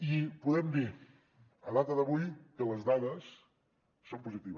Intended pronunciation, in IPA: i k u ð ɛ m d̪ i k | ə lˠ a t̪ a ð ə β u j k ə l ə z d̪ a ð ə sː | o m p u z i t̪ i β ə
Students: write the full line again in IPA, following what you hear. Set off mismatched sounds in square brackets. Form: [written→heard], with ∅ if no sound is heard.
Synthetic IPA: i [k→p] u ð ɛ m d̪ i [k→∅] | ə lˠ a t̪ [a→ə] ð ə β u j k ə l ə z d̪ a ð ə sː | o m p u z i t̪ i β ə